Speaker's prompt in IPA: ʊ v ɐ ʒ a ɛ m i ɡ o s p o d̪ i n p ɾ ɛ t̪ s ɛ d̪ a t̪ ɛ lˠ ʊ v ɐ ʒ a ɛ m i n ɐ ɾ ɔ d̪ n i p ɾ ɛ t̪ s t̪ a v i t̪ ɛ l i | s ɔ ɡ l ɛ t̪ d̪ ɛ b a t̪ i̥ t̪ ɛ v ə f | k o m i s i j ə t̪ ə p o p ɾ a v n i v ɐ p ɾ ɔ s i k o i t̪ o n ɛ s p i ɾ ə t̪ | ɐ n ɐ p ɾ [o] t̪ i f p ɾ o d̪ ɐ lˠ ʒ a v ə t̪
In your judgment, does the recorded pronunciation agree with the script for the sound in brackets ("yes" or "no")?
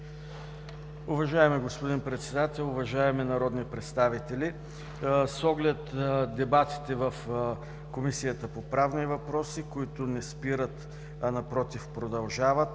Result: no